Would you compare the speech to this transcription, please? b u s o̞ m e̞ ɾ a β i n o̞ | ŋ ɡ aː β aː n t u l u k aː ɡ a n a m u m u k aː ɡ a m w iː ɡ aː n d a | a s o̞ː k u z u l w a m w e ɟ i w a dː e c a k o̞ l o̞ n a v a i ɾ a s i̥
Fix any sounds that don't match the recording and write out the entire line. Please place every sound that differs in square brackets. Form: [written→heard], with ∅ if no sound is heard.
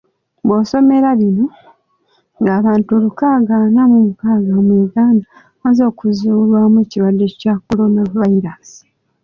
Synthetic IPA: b [u→o] s o̞ m e̞ ɾ a β i n o̞ | ŋ ɡ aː β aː n t u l u k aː ɡ a n a m u m u k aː ɡ a m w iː ɡ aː n d a | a [s→z] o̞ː k u z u l w a m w e [ɟ→c] i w a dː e c a k o̞ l o̞ n a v a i ɾ a s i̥